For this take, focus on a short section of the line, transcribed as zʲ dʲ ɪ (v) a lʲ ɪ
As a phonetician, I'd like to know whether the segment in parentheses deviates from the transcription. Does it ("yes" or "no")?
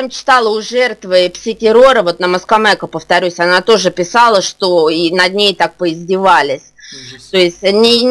no